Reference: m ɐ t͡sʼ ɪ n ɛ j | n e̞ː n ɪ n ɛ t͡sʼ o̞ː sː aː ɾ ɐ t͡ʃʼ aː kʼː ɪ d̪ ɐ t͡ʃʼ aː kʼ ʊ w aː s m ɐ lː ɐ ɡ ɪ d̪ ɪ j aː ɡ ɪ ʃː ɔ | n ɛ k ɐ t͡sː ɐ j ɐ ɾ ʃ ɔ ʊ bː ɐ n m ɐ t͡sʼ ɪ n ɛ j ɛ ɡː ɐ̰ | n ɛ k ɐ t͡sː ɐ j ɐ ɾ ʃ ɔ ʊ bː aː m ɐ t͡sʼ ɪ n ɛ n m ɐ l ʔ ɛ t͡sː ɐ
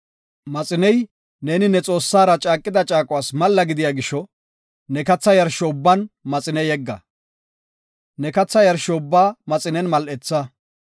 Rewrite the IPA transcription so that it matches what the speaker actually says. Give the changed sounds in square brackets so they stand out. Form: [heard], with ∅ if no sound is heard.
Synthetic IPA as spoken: m ɐ t͡sʼ ɪ n ɛ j | n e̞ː n ɪ n ɛ t͡sʼ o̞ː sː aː ɾ ɐ t͡ʃʼ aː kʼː ɪ d̪ ɐ t͡ʃʼ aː kʼ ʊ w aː s m ɐ lː ɐ ɡ ɪ d̪ ɪ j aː ɡ ɪ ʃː ɔ | n ɛ k ɐ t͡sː ɐ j ɐ ɾ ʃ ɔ ʊ bː ɐ n m ɐ t͡sʼ ɪ n ɛ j ɛ ɡː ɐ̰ | n ɛ k ɐ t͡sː ɐ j ɐ ɾ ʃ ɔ ʊ bː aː m ɐ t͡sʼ ɪ n ɛ n m ɐ l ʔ ɛ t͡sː ɐ